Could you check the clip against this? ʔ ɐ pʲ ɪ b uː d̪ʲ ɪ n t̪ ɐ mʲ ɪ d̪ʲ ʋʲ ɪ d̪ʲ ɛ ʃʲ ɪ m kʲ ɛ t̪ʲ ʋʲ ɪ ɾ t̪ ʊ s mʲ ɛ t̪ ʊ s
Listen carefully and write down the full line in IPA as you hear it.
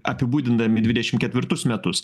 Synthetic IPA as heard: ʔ ɐ pʲ ɪ b uː d̪ʲ ɪ n d̪ ɐ mʲ ɪ d̪ʲ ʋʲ ɪ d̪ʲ ɛ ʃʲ ɪ m kʲ ɛ t̪ʲ ʋʲ ɪ ɾ t̪ ʊ s mʲ ɛ t̪ ʊ s

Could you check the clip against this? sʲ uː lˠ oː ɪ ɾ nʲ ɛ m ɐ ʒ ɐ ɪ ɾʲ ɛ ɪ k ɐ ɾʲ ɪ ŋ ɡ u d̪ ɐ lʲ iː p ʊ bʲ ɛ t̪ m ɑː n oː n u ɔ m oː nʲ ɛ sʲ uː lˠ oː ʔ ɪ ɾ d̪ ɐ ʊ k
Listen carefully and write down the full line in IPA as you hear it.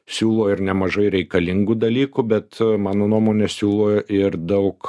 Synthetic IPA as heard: sʲ uː lˠ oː ɪ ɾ nʲ ɛ m ɐ ʒ ɐ ɪ ɾʲ ɛ ɪ k ɐ lʲ ɪ ŋ ɡ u d̪ ɐ lʲ iː k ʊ bʲ ɛ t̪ m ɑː n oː n u ɔ m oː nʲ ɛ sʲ uː lˠ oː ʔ ɪ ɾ d̪ ɐ ʊ k

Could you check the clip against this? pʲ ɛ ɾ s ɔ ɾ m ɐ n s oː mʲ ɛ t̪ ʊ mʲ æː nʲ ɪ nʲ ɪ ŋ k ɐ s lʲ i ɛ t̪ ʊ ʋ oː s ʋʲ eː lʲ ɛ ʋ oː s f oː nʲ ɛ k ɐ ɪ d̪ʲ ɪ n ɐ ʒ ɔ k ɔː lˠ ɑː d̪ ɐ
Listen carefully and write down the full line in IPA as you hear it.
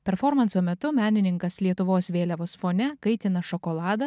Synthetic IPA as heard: pʲ ɛ ɾ f ɔ ɾ m ɐ n s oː mʲ ɛ t̪ ʊ mʲ æː nʲ ɪ nʲ ɪ ŋ k ɐ s lʲ i ɛ t̪ ʊ ʋ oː s ʋʲ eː lʲ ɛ ʋ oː s f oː nʲ ɛ k ɐ ɪ t̪ʲ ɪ n ɐ ʃ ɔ k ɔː lˠ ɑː d̪ ɐ

